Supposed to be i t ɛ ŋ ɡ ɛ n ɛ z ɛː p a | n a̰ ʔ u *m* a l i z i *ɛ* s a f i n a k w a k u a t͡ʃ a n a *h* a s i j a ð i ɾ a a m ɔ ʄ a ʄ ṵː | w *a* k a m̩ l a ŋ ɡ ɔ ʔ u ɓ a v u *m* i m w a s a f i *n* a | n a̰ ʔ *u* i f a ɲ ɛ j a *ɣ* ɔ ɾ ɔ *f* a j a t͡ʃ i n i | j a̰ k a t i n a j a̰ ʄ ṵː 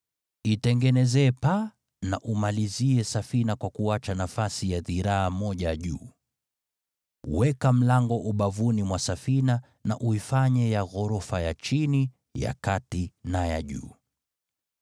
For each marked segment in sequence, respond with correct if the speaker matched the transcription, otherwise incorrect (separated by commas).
correct, correct, incorrect, incorrect, incorrect, correct, correct, correct, correct